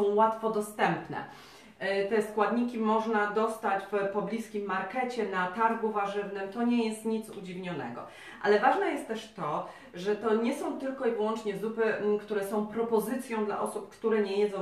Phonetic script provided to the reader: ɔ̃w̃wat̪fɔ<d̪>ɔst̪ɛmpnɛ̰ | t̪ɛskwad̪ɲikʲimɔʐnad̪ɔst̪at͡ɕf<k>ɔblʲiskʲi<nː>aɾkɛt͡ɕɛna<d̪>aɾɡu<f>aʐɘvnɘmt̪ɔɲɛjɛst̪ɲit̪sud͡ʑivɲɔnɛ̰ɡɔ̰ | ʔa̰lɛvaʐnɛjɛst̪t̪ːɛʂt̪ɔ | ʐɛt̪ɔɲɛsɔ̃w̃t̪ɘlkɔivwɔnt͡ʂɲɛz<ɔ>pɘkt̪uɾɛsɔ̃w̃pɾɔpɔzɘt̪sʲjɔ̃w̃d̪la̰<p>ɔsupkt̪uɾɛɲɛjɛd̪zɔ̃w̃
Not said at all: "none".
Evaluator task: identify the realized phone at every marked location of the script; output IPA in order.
d̪, p, mː, t̪, v, u, ʔ

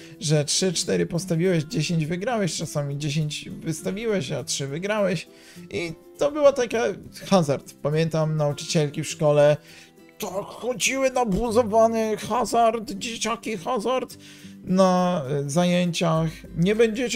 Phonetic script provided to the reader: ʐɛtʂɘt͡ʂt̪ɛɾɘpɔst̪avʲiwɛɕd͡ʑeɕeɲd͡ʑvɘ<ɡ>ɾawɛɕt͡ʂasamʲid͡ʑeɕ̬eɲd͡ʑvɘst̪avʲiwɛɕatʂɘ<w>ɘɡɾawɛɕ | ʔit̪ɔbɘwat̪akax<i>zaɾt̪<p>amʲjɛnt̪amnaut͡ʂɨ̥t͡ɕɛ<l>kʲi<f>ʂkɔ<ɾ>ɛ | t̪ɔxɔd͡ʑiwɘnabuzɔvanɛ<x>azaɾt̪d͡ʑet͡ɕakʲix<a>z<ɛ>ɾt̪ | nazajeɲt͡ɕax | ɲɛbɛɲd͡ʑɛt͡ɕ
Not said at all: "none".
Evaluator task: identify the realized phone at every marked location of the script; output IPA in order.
ɡ, v, a, p, l, f, l, x, a, a

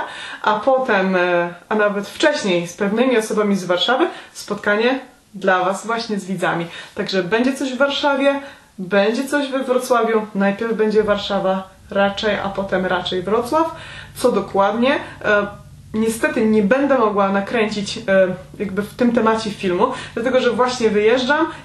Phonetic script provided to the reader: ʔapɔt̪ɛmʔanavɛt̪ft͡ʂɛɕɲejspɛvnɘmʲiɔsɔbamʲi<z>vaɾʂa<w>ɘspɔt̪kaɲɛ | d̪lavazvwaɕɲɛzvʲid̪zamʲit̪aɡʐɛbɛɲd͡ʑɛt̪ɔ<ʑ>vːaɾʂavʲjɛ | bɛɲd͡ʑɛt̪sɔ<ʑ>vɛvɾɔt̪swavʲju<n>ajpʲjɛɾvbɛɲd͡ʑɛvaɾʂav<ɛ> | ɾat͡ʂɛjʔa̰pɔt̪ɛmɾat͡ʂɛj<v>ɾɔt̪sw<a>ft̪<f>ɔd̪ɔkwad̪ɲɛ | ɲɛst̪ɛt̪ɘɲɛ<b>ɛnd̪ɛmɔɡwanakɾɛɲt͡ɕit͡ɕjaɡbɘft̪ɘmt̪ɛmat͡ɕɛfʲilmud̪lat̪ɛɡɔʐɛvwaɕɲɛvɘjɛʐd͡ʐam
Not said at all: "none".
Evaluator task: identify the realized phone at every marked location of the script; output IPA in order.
z, v, ʑ, ʑ, n, a, v, a, s, b

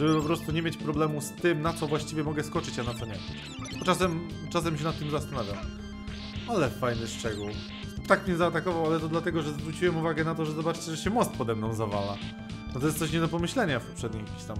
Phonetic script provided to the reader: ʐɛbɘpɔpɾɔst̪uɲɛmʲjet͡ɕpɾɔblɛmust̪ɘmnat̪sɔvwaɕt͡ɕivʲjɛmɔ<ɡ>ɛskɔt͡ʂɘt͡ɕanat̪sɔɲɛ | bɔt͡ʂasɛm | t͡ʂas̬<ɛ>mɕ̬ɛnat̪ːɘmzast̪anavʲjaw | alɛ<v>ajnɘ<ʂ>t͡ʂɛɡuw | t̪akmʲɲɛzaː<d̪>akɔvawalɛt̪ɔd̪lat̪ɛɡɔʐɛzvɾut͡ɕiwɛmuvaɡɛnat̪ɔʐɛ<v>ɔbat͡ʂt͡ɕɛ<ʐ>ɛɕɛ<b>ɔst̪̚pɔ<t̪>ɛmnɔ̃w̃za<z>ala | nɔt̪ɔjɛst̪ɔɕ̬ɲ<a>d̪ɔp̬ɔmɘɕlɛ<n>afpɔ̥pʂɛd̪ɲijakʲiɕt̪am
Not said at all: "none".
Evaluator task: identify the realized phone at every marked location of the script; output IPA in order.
ɡ, ɛ, f, ʂ, t̪, z, ʐ, m, d̪, v, ɛ, ɲ

